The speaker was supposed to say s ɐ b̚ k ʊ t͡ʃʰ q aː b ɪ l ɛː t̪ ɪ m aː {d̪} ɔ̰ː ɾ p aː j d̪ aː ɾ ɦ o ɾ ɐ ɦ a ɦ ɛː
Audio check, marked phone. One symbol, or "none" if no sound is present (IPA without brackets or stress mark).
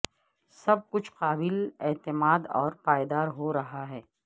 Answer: d̪